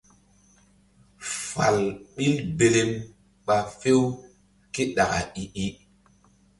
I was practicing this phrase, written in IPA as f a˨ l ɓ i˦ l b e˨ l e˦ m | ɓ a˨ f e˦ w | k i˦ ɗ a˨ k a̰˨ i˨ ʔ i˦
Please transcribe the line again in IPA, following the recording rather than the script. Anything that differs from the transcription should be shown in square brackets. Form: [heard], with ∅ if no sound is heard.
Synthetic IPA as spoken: f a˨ l ɓ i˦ l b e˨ l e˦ m | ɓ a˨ f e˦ w | k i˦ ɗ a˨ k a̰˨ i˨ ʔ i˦